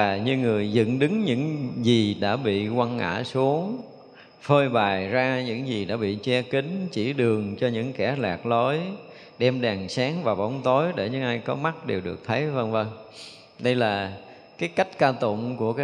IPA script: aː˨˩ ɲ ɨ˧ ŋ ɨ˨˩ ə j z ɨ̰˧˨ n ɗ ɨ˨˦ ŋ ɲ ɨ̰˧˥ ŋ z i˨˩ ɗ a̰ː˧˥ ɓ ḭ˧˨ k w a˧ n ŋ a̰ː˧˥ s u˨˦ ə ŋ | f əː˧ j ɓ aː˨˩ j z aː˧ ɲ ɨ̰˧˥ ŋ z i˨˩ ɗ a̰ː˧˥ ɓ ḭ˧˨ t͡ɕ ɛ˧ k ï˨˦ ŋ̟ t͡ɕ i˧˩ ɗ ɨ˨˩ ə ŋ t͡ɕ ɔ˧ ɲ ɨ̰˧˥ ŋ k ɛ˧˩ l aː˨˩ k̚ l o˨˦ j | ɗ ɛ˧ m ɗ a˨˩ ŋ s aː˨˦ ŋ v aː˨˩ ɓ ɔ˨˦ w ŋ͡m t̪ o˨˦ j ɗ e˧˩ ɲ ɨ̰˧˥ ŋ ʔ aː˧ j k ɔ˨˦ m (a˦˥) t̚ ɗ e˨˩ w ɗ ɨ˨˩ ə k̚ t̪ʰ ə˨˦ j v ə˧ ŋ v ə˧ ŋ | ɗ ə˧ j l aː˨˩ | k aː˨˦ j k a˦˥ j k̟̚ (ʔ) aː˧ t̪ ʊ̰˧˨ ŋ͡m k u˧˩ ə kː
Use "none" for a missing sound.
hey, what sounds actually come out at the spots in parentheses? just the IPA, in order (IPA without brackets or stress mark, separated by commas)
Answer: a˦˥, k